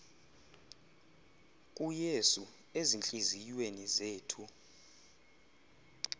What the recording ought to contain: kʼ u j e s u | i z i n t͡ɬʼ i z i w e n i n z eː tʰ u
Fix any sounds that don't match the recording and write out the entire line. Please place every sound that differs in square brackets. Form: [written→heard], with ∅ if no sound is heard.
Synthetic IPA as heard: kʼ u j e s u | [i→e] z i n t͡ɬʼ i z i w e n i [n→∅] z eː tʰ u